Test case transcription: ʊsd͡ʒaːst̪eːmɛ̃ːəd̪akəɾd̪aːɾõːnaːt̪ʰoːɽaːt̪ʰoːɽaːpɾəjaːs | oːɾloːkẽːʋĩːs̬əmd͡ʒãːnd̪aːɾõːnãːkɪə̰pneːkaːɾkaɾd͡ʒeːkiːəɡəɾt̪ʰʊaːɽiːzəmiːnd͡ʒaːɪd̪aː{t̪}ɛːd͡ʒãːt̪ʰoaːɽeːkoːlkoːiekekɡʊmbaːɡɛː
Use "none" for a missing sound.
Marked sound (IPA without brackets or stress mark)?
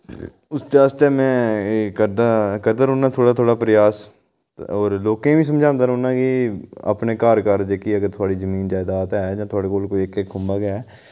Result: t̪